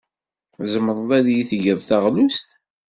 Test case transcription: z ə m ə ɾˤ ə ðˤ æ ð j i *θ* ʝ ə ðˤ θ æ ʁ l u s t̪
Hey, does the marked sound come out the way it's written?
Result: yes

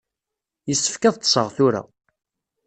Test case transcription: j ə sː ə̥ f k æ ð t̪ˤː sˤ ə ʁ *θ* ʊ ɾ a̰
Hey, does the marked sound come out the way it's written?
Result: yes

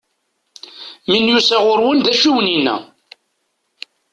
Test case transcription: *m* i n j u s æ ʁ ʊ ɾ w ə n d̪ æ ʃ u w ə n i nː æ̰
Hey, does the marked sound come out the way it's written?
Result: yes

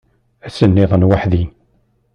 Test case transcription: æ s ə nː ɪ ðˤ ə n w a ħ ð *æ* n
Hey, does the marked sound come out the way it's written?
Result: no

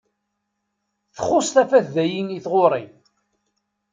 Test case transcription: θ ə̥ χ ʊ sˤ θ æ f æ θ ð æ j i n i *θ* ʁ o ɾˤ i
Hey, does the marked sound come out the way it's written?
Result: yes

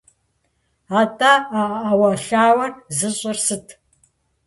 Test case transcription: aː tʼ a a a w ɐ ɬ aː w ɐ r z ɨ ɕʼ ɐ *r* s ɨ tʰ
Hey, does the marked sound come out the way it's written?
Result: yes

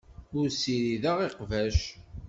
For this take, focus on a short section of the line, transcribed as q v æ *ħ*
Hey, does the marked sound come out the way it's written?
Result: no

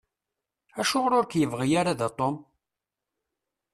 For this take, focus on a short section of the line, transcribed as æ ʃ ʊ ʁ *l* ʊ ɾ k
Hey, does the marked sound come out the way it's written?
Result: no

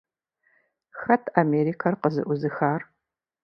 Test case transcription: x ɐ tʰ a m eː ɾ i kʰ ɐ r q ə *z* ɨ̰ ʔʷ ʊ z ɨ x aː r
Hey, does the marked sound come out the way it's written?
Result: yes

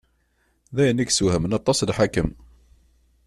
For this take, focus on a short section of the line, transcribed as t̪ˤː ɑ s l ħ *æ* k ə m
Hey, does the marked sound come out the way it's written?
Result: no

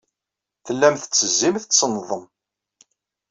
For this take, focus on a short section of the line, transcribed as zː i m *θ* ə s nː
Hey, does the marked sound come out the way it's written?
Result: yes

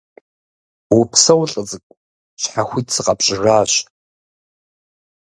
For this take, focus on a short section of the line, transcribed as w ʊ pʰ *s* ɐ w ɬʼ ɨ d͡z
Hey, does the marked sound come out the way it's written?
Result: yes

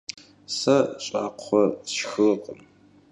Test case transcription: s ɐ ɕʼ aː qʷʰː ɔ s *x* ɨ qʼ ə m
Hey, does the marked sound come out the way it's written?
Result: yes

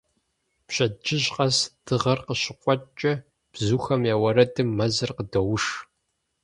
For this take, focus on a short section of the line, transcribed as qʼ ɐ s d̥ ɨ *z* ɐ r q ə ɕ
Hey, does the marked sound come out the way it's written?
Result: no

